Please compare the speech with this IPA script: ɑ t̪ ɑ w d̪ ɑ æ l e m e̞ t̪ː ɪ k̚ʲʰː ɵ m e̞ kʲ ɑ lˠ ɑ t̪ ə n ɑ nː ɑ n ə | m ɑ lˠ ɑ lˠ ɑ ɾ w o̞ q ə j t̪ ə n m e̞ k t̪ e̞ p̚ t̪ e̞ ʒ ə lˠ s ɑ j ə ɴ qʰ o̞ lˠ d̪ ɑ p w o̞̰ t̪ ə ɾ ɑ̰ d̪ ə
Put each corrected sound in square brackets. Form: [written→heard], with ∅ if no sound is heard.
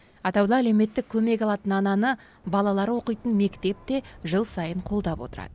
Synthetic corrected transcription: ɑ t̪ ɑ w d̪ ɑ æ l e m e̞ t̪ː ɪ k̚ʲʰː ɵ m e̞ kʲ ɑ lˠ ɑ t̪ ə n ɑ [nː→n] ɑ n ə | [m→b] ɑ lˠ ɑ lˠ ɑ ɾ w o̞ q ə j t̪ ə n m e̞ k t̪ e̞ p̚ t̪ e̞ ʒ ə lˠ s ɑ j ə ɴ qʰ o̞ lˠ d̪ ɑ p w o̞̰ t̪ ə ɾ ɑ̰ d̪ ə